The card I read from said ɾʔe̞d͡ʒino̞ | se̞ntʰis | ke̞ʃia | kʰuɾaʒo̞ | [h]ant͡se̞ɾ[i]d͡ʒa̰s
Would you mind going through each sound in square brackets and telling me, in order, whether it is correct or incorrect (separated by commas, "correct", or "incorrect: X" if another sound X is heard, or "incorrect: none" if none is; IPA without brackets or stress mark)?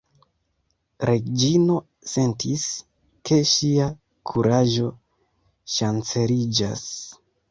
incorrect: ʃ, correct